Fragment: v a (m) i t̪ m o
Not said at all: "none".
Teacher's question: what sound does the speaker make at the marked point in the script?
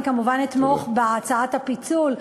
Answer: n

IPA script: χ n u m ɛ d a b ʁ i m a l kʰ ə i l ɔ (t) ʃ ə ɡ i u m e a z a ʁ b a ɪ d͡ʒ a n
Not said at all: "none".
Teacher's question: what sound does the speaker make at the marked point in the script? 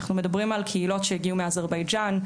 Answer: t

